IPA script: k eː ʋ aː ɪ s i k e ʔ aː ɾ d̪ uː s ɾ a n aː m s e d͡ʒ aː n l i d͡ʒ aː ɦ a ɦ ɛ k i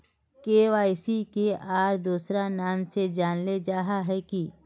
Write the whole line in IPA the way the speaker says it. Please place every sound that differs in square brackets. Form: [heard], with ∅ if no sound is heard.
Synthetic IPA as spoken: k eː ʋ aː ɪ s i k e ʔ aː ɾ d̪ uː s ɾ a n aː m s e d͡ʒ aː n l [e] d͡ʒ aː ɦ a ɦ ɛ k i